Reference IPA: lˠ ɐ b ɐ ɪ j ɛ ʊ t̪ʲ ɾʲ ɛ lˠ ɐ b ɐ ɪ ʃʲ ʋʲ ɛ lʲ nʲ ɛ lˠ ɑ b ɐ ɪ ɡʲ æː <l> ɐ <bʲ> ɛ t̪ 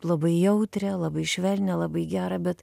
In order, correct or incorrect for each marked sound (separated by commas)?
incorrect, correct